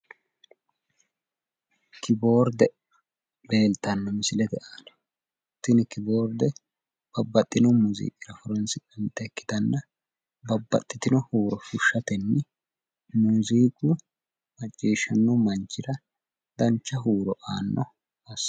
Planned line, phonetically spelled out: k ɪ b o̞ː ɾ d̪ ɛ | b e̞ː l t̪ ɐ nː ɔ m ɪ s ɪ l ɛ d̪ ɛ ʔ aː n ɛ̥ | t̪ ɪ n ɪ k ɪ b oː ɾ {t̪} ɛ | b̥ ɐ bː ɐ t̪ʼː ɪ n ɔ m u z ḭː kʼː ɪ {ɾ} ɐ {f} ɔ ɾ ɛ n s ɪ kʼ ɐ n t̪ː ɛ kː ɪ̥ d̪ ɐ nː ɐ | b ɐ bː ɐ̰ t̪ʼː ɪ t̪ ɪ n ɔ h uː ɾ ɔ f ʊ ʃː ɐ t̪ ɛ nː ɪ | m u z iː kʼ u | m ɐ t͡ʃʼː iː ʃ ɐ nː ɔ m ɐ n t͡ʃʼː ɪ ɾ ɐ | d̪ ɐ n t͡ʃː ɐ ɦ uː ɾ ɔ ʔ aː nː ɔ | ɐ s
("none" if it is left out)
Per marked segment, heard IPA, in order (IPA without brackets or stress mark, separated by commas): d̪, ɾ, f